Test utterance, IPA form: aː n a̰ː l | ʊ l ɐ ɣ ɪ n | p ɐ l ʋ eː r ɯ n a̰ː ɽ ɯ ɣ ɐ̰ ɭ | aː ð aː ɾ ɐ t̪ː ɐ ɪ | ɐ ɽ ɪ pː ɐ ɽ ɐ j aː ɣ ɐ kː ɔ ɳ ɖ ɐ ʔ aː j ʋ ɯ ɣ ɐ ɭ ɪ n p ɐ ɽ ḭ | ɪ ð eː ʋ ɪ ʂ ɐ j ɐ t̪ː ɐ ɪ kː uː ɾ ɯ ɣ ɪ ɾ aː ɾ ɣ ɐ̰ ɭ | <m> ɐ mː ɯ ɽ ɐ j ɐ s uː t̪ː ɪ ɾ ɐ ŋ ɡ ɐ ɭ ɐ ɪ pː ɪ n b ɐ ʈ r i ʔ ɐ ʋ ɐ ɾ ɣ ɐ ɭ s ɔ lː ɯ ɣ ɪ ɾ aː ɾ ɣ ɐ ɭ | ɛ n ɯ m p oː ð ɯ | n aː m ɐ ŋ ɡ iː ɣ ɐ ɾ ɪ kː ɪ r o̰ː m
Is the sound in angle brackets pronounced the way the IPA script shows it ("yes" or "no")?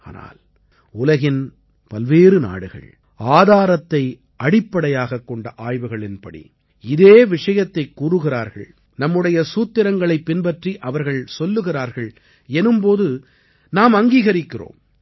no